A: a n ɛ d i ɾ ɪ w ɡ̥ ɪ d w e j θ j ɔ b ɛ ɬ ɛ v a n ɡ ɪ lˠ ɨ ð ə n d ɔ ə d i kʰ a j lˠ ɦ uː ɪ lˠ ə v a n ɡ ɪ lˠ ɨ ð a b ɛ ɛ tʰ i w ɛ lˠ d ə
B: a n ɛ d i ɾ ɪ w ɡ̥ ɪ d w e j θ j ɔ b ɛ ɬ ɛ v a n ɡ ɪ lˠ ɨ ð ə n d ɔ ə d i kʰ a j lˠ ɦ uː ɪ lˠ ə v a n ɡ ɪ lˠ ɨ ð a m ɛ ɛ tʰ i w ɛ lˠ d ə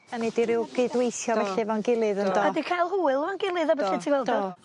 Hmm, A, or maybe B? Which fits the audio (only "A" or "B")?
A